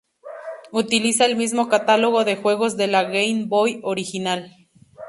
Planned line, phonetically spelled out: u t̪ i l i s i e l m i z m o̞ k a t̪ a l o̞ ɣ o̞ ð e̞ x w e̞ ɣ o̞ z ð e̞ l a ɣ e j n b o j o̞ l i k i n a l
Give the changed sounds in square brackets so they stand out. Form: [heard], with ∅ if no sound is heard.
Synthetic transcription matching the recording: u t̪ i l i s [a] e l m i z m o̞ k a t̪ a l o̞ ɣ o̞ ð e̞ x w e̞ ɣ o̞ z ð e̞ l a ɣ e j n b o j o̞ [ɾ] i [x] i n a l